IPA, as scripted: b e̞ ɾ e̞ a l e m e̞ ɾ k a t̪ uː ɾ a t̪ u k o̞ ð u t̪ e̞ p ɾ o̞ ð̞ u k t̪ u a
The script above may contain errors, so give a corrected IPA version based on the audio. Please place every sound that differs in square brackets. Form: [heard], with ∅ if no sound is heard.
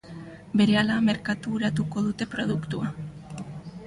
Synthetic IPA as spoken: b e̞ ɾ e̞ a l [a] m e̞ ɾ k a t̪ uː ɾ a t̪ u k o̞ ð u t̪ e̞ p ɾ o̞ ð̞ u k t̪ u a

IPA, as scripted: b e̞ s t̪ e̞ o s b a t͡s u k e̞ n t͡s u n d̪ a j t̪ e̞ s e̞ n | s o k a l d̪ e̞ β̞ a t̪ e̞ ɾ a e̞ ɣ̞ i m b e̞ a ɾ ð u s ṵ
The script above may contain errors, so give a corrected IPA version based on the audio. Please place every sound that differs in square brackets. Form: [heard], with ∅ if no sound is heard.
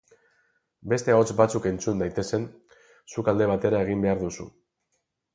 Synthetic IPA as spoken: b e̞ s t̪ e̞ o [t͡s] b a t͡s u k e̞ n t͡s u n d̪ a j t̪ e̞ s e̞ n | s [u] k a l d̪ e̞ β̞ a t̪ e̞ ɾ a e̞ ɣ̞ i m b e̞ a ɾ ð u s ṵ

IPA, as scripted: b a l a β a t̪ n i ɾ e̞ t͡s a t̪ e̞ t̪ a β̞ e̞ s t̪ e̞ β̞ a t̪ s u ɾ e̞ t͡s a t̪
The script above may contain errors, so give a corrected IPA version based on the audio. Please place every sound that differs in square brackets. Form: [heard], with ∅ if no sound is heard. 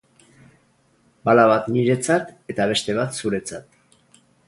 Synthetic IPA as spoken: b a l a β a t̪ n i ɾ e̞ t͡s a t̪ e̞ t̪ a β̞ e̞ s t̪ e̞ β̞ a t̪ s u ɾ e̞ t͡s a t̪

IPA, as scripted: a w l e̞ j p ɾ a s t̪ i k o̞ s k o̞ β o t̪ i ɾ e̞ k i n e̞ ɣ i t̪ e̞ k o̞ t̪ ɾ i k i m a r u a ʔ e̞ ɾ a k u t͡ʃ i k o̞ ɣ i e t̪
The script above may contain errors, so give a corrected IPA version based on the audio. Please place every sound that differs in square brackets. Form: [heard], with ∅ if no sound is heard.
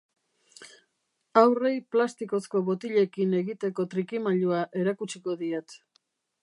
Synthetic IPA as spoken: a w [r] e̞ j p [l] a s t̪ i k o̞ s k o̞ β o t̪ i [ʎ] e̞ k i n e̞ ɣ i t̪ e̞ k o̞ t̪ ɾ i k i m a [ʎ] u a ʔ e̞ ɾ a k u t͡ʃ i k o̞ [ð] i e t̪

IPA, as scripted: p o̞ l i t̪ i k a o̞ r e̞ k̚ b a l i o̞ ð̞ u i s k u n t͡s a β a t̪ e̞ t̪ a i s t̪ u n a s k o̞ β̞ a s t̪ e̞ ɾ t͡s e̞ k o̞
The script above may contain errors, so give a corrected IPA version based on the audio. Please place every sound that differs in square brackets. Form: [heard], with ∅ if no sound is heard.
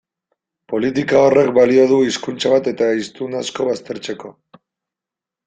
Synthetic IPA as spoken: p o̞ l i t̪ i k a o̞ r e̞ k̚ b a l i o̞ ð̞ u i s k u n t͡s a β a t̪ e̞ t̪ a i s t̪ u n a s k o̞ β̞ a s t̪ e̞ ɾ t͡s e̞ k o̞

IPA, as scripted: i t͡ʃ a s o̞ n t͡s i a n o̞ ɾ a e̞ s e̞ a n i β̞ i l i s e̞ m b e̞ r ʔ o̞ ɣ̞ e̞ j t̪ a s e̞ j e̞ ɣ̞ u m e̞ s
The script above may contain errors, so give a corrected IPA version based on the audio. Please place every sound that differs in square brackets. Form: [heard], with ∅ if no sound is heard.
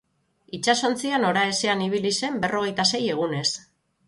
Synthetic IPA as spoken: i t͡ʃ a s o̞ n t͡s i a n o̞ ɾ a e̞ s e̞ a n i β̞ i l i s e̞ m b e̞ r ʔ o̞ ɣ̞ e̞ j t̪ a s e̞ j e̞ ɣ̞ u [n] e̞ s

